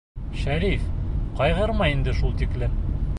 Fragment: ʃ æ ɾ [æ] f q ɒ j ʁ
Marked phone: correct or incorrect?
incorrect: i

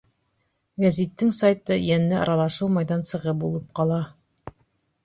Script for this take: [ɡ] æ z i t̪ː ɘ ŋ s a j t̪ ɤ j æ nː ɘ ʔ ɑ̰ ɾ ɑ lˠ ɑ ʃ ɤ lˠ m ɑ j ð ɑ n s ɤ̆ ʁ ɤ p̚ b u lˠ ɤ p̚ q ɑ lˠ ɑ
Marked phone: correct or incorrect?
correct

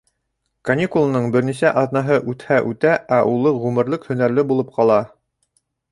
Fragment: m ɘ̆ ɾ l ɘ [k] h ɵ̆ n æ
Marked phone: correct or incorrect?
correct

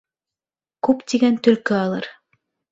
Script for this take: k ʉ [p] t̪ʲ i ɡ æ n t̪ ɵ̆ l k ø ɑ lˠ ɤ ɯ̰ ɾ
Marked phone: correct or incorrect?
correct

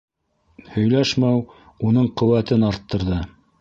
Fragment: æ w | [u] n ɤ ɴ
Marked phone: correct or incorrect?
correct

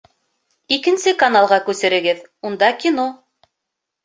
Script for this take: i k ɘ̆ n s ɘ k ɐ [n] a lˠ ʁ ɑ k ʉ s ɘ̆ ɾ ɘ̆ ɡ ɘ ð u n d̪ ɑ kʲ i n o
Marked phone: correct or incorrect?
correct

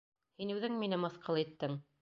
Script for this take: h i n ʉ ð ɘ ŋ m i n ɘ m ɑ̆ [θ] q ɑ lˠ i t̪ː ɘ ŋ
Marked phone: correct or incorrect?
correct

